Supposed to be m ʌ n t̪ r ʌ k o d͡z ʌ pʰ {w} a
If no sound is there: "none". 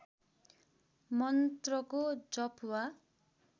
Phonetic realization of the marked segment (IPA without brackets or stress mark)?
w